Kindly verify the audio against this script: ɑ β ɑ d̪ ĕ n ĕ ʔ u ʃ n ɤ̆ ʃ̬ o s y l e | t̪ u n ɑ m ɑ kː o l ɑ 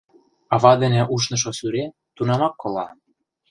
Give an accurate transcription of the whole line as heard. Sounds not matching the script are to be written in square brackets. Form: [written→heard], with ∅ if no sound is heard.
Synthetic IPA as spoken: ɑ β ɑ d̪ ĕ n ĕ ʔ u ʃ n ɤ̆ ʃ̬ o s y [l→ɾ] e | t̪ u n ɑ m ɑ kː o l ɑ